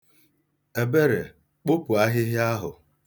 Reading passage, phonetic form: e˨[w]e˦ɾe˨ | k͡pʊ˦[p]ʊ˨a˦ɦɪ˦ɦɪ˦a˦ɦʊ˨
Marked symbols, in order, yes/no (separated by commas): no, yes